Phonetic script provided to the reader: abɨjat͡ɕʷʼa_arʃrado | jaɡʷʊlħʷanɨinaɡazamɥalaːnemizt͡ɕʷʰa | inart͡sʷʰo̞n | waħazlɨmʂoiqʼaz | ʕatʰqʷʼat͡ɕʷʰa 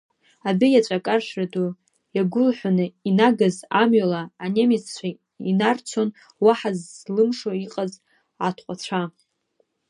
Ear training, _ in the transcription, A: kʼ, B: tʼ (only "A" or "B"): A